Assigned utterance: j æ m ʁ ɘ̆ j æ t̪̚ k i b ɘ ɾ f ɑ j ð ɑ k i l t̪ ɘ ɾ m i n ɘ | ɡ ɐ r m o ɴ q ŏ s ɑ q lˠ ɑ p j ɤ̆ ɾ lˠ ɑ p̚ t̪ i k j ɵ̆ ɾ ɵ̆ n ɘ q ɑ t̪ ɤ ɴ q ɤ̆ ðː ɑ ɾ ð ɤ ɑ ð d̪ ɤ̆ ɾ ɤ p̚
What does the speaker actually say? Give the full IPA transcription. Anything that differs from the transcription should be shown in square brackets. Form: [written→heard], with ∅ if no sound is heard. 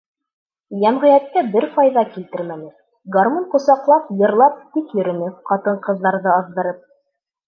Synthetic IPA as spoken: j æ m ʁ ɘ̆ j æ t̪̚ k [i→æ] b ɘ ɾ f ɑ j ð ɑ k i l t̪ ɘ ɾ m [i→æ] n ɘ | ɡ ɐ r m o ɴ q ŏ s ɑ q lˠ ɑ p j ɤ̆ ɾ lˠ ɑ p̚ t̪ i k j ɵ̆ ɾ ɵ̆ n ɘ q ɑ t̪ ɤ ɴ q ɤ̆ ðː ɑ ɾ ð ɤ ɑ ð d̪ ɤ̆ ɾ ɤ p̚